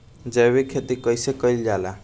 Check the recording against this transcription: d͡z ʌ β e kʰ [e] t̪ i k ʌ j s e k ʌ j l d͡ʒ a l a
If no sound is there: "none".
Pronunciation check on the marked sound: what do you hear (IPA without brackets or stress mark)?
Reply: e